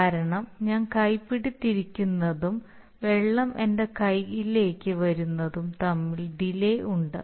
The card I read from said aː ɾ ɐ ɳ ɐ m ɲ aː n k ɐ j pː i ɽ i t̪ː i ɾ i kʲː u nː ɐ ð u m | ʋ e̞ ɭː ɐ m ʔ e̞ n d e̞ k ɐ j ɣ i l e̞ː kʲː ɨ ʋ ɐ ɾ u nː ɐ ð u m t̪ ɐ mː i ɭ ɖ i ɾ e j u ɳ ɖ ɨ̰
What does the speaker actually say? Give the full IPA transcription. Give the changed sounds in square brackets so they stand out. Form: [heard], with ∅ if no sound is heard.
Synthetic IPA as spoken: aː ɾ ɐ ɳ ɐ m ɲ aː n k ɐ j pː i ɽ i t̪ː i ɾ i kʲː u nː ɐ ð u m | ʋ e̞ ɭː ɐ m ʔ e̞ n d e̞ k ɐ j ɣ i l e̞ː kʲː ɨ ʋ ɐ ɾ u nː ɐ ð u m t̪ ɐ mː i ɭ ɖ i [l] e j u ɳ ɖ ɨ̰